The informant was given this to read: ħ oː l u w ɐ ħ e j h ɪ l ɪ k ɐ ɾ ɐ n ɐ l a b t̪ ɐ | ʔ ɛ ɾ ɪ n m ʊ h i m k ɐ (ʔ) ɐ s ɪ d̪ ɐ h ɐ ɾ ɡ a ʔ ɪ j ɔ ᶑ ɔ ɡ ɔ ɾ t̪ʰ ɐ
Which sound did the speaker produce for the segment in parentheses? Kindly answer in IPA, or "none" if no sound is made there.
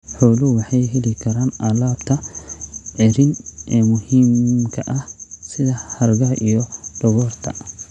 ʔ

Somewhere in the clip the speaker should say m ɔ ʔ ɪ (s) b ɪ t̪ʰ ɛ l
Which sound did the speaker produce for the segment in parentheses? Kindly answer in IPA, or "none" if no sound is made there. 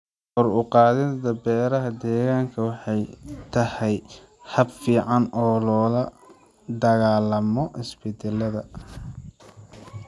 s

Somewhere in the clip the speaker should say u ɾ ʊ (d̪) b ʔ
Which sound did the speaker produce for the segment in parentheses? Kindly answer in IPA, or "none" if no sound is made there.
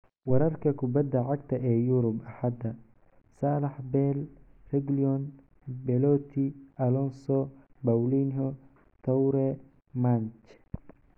none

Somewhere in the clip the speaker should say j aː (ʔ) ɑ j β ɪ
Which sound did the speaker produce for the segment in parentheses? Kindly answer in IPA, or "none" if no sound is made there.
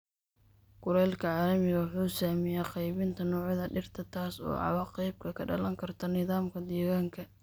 q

